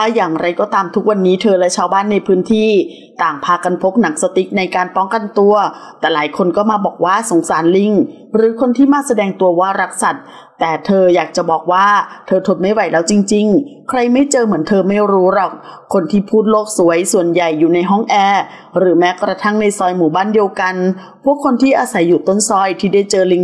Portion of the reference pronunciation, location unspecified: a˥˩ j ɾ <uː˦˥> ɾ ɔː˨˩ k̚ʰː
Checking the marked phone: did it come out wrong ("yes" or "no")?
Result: no